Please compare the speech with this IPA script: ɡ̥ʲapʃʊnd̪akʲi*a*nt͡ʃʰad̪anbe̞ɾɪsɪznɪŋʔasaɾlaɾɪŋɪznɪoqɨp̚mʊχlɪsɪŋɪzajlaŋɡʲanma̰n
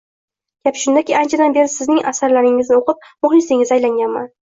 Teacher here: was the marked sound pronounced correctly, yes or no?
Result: yes